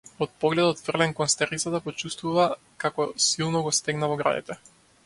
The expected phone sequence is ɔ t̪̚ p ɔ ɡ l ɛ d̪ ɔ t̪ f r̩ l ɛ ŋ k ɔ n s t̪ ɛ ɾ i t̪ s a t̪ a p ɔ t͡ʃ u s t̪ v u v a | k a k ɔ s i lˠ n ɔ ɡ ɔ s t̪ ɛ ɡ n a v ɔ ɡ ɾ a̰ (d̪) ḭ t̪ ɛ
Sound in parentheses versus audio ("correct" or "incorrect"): correct